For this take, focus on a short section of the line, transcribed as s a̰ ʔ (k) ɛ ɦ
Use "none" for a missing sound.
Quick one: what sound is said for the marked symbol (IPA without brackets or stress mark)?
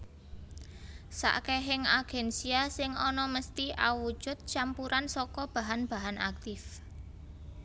k